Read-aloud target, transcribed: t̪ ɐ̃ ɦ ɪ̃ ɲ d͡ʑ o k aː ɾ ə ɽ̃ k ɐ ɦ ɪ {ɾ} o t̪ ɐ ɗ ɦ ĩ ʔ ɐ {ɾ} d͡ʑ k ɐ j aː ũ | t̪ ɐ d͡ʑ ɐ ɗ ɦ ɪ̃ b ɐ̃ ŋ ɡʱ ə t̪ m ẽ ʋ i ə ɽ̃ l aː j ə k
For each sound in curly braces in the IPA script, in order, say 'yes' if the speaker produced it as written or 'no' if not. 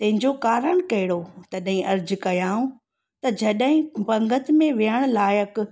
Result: no, yes

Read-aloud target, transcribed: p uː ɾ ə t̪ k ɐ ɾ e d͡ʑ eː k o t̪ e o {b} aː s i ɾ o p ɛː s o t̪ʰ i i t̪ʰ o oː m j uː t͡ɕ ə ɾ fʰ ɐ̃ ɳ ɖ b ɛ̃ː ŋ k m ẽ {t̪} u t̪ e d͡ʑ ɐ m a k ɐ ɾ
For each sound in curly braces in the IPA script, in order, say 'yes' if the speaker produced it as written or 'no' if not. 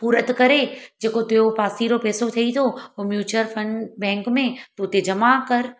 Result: no, yes

